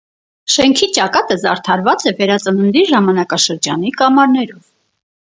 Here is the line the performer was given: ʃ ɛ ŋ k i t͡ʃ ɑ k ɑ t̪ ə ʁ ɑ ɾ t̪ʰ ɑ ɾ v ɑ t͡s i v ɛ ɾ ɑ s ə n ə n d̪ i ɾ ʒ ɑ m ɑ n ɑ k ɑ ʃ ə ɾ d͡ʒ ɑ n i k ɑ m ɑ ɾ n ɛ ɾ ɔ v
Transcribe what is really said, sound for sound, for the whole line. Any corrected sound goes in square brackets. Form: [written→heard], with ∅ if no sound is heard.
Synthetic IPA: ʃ ɛ ŋ [k→kʰ] i t͡ʃ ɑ k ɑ t̪ ə [ʁ→z] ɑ ɾ t̪ʰ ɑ ɾ v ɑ t͡s [i→ɛ] v ɛ ɾ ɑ [s→t͡s] ə n ə n d̪ i ɾ ʒ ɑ m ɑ n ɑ k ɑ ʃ ə ɾ d͡ʒ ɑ n i k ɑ m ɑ ɾ n ɛ ɾ ɔ v

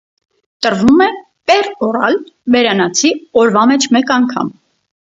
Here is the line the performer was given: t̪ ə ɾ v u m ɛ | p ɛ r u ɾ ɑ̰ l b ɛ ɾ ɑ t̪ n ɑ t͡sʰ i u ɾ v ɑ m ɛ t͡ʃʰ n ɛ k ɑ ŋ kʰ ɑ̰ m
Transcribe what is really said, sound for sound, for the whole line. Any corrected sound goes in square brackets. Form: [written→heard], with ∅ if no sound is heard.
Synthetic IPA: t̪ ə ɾ v u m ɛ | p ɛ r [u→ɔ] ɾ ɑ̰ l b ɛ ɾ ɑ [t̪→∅] n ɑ t͡sʰ i [u→ɔ] ɾ v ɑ m ɛ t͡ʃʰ [n→m] ɛ k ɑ ŋ kʰ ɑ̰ m

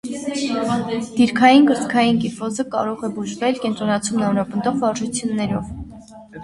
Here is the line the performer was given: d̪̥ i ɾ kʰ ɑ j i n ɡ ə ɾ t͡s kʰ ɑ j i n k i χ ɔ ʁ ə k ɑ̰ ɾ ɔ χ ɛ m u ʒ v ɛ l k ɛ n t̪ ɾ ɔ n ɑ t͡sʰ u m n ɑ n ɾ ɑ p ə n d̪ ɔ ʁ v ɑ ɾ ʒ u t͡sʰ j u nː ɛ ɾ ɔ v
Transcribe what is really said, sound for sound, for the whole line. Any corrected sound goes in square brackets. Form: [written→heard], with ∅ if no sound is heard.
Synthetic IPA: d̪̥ i ɾ kʰ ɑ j i n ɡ ə ɾ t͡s kʰ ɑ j i n k i [χ→f] ɔ [ʁ→z] ə k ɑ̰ ɾ ɔ [χ→ʁ] ɛ [m→b] u ʒ v ɛ l k ɛ n t̪ ɾ ɔ n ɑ t͡sʰ u m n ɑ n ɾ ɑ p ə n d̪ ɔ ʁ v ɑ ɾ ʒ u t͡sʰ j u nː ɛ ɾ ɔ v

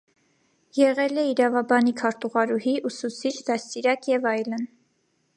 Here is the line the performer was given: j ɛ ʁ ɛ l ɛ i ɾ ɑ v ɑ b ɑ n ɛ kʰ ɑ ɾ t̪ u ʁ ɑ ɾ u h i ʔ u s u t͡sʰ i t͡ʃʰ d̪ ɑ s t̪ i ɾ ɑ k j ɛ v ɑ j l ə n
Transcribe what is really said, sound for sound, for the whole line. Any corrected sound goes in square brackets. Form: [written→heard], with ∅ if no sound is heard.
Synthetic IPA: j ɛ ʁ ɛ l ɛ i ɾ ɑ v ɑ b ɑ n [ɛ→i] kʰ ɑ ɾ t̪ u ʁ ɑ ɾ u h i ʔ u s u t͡sʰ i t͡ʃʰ d̪ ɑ s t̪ i ɾ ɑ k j ɛ v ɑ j l ə n

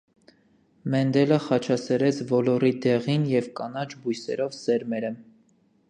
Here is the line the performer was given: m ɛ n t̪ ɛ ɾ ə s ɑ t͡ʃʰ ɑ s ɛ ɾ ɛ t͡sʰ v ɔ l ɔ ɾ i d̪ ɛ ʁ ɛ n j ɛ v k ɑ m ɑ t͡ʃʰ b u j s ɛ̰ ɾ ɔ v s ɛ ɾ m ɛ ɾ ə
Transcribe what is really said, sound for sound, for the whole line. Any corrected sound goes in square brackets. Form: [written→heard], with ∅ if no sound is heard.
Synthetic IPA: m ɛ n [t̪→d̪] ɛ [ɾ→l] ə [s→χ] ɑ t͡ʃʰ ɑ s ɛ ɾ ɛ t͡sʰ v ɔ l ɔ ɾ i d̪ ɛ ʁ [ɛ→i] n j ɛ v k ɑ [m→n] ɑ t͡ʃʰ b u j s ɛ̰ ɾ ɔ v s ɛ ɾ m ɛ ɾ ə

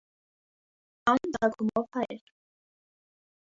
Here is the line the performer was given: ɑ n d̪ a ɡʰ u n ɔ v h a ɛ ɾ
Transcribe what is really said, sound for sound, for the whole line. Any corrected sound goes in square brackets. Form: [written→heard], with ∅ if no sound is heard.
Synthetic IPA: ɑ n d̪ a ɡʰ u [n→m] ɔ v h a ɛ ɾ

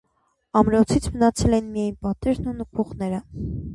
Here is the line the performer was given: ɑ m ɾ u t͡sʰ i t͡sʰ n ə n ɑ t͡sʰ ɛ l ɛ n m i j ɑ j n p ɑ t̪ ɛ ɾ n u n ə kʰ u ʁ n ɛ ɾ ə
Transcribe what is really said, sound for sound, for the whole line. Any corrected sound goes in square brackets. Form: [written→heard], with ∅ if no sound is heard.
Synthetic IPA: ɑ m ɾ [u→ɔ] t͡sʰ i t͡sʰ [n→m] ə n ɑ t͡sʰ ɛ l ɛ n m i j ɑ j n p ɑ t̪ ɛ ɾ n u n ə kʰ u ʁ n ɛ ɾ ə

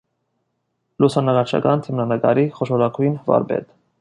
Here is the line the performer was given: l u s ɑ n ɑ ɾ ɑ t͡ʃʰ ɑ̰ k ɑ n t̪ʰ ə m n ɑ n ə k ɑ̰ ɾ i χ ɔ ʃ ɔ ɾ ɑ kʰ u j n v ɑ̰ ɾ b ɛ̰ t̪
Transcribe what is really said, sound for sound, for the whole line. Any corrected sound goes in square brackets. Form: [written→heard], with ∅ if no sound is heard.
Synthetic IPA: l u s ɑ n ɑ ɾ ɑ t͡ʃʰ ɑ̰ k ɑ n t̪ʰ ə m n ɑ n ə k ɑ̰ ɾ i χ ɔ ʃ ɔ ɾ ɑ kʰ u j n v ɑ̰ ɾ b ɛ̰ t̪

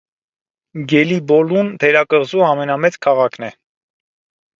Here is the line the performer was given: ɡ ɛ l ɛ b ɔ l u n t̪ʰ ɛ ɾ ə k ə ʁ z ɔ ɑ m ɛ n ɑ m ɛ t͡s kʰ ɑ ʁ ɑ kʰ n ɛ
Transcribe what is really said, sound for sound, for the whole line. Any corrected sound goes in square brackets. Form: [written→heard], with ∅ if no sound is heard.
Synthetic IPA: ɡ ɛ l [ɛ→i] b ɔ l u n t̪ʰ ɛ ɾ [ə→ɑ] k ə ʁ z [ɔ→u] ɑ m ɛ n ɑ m ɛ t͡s kʰ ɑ ʁ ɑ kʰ n ɛ

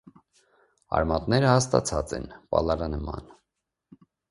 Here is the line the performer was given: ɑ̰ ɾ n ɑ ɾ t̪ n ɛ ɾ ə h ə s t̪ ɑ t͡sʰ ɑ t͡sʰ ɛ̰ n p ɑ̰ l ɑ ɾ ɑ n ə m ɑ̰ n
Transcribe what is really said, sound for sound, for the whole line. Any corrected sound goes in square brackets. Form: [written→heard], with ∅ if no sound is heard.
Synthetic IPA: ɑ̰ ɾ [n→m] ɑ [ɾ→∅] t̪ n ɛ ɾ ə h [ə→ɑ] s t̪ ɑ t͡sʰ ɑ [t͡sʰ→t͡s] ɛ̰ n p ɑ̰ l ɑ ɾ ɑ n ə m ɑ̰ n

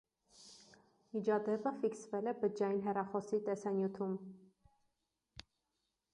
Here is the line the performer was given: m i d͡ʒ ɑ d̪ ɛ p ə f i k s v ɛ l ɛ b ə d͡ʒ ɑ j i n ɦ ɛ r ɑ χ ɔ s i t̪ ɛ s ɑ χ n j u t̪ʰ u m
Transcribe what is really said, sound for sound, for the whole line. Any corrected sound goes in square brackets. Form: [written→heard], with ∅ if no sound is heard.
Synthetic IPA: m i d͡ʒ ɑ d̪ ɛ p ə f i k s v ɛ l ɛ b ə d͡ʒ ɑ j i n ɦ ɛ r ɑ χ ɔ s i t̪ ɛ s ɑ [χ→∅] n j u t̪ʰ u m

